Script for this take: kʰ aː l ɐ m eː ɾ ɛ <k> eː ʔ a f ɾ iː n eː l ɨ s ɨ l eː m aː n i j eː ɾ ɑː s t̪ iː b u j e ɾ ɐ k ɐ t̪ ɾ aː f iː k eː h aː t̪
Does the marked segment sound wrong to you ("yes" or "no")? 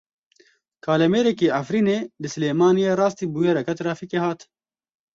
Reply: no